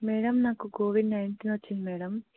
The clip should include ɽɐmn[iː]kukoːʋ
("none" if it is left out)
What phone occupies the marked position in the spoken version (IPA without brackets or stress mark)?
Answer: aː